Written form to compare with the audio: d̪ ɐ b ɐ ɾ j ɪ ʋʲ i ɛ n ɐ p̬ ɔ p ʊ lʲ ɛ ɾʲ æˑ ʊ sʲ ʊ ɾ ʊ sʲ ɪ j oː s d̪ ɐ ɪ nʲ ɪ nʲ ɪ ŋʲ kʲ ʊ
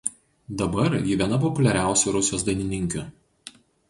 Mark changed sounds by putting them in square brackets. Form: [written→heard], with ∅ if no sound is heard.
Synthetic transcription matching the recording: d̪ ɐ b ɐ ɾ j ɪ ʋʲ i ɛ n ɐ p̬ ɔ p ʊ lʲ ɛ ɾʲ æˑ ʊ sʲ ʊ ɾ ʊ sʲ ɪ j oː s d̪ ɐ ɪ nʲ ɪ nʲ ɪ ŋʲ kʲ ʊ